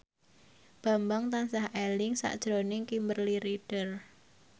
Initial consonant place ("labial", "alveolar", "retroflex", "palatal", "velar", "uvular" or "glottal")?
labial